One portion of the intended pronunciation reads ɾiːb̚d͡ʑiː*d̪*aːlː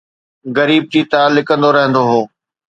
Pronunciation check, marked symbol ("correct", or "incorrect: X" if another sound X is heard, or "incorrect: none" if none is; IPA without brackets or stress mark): incorrect: t̪